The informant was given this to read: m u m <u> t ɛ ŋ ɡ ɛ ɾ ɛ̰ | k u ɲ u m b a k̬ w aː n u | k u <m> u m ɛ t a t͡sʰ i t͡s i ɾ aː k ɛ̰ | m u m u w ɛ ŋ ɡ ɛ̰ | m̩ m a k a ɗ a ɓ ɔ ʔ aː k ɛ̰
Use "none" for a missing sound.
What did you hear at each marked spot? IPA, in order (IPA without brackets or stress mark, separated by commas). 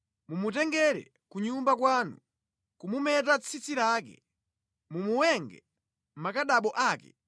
u, m